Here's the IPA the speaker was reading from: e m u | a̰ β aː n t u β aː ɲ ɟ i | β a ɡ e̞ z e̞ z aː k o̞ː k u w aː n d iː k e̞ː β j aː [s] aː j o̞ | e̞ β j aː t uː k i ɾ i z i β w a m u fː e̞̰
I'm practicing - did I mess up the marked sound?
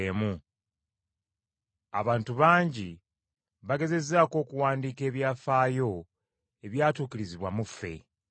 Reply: yes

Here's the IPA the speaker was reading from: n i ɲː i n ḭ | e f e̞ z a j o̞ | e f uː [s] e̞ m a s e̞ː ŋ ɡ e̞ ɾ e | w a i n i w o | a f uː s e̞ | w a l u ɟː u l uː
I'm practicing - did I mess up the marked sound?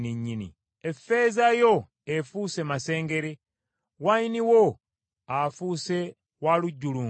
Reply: no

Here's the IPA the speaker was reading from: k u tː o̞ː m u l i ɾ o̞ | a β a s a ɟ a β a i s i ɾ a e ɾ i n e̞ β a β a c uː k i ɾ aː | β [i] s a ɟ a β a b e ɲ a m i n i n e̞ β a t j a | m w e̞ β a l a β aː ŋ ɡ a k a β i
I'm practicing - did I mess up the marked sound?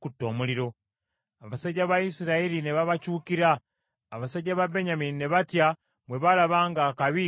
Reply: yes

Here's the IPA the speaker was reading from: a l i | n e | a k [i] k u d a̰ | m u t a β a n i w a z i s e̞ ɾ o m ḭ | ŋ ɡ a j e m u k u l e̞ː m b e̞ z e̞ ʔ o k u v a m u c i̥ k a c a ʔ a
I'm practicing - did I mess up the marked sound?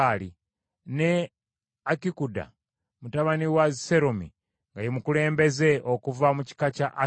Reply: no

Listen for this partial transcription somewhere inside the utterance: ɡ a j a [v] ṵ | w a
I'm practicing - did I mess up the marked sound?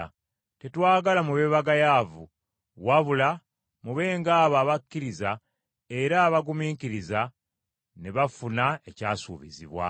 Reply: no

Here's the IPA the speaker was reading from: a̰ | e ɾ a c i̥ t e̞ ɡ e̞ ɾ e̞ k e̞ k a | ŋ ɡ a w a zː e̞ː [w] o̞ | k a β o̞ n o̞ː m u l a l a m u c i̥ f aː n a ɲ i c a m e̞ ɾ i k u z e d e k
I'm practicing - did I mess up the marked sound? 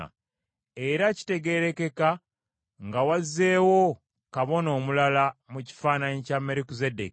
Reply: no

